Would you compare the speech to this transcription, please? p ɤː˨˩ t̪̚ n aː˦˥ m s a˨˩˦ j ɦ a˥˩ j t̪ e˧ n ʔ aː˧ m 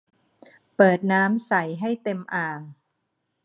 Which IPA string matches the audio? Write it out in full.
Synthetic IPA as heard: p ɤː˨˩ t̪̚ n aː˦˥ m s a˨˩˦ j ɦ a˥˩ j t̪ e˧ m ʔ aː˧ ŋ